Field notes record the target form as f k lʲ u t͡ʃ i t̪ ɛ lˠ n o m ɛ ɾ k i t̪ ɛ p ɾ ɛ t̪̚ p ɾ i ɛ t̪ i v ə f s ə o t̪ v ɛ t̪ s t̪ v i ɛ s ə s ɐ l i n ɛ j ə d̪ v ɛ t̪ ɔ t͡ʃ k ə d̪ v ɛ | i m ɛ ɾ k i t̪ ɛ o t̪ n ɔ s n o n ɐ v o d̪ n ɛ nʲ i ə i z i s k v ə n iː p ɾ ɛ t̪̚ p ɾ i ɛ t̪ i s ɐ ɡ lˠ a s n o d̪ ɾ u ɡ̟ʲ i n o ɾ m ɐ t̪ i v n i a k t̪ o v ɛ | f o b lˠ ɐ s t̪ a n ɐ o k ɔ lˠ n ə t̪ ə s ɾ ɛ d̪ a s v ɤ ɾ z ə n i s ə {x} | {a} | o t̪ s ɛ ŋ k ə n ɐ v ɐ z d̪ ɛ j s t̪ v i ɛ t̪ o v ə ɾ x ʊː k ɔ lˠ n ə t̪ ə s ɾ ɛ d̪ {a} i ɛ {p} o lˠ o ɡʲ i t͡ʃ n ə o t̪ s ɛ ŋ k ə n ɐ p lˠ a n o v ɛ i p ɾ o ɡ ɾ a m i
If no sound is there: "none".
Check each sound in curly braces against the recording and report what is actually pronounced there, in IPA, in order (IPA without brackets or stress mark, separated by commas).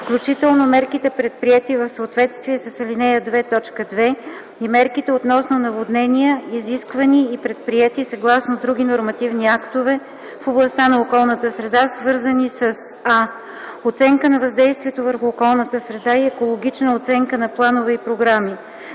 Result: s, a, a, k